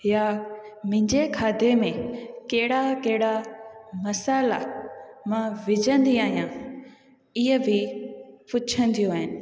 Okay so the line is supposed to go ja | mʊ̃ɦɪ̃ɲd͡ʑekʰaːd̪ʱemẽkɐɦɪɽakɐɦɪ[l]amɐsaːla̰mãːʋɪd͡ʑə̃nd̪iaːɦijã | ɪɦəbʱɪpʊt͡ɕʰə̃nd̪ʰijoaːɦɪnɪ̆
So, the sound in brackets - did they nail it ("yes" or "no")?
no